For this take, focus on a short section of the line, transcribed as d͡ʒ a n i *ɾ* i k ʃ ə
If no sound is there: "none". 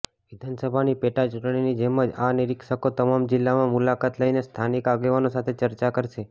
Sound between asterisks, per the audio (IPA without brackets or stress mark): ɾ